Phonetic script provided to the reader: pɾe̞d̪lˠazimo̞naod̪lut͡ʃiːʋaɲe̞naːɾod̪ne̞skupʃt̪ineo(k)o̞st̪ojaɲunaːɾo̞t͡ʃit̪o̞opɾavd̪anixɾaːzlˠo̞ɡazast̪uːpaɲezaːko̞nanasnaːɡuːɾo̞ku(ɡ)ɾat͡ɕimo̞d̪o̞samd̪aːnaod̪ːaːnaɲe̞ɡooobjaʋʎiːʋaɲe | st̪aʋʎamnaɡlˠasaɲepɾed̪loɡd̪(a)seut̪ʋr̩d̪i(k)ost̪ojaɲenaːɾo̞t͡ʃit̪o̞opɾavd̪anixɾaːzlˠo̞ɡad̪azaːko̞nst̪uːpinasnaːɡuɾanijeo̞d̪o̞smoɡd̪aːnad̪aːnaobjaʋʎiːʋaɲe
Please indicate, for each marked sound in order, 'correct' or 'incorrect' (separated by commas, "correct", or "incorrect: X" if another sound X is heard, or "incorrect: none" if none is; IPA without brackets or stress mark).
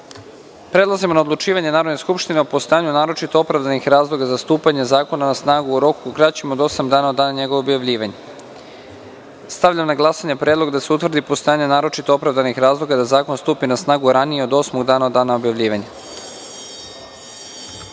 incorrect: p, incorrect: k, correct, incorrect: p